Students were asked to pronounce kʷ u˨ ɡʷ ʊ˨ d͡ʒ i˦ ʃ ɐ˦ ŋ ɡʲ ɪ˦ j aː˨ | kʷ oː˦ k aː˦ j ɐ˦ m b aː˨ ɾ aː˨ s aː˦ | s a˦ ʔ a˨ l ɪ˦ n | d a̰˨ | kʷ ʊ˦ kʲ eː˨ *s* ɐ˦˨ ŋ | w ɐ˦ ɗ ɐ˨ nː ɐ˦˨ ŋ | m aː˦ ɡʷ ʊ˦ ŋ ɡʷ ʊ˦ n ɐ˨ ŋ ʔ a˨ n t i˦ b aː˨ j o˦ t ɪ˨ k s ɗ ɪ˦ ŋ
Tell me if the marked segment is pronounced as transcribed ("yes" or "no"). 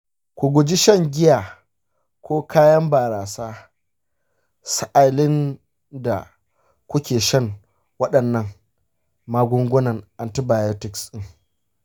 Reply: no